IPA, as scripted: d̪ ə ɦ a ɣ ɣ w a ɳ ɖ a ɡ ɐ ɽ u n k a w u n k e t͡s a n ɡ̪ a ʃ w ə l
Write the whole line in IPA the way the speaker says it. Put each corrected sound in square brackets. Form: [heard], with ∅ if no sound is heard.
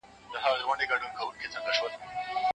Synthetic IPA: d̪ ə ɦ a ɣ ɣ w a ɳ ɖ [e] ɡ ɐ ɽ u n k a w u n k e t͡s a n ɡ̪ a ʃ w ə l

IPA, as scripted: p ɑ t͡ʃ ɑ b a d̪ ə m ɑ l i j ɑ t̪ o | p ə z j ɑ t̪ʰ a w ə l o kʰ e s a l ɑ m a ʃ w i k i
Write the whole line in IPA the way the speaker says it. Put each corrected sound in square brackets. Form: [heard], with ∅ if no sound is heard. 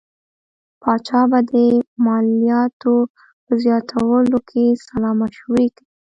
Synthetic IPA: p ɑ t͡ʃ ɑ b a d̪ ə m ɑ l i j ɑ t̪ o | p ə z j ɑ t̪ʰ a w ə l o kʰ e s a l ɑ m a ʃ w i k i

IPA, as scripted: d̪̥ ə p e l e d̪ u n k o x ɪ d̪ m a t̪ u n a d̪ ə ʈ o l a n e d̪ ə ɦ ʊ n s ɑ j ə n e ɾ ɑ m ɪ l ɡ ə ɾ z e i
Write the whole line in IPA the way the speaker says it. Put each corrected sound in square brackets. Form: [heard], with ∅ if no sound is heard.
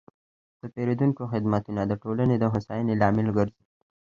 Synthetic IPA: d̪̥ ə p e [ɾ] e d̪ u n k o x ɪ d̪ m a t̪ u n a d̪ ə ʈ o l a n e d̪ ə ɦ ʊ [∅] s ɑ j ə n e [l] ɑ m ɪ l ɡ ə ɾ z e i

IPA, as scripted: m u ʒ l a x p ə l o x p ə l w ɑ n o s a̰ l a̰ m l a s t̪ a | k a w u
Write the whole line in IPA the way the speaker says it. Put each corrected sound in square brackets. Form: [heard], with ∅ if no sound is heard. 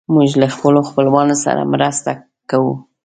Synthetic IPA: m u ʒ l a x p ə l o x p ə l w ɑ n o s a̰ [ɾ] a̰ m [ɾ] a s t̪ a | k a w u

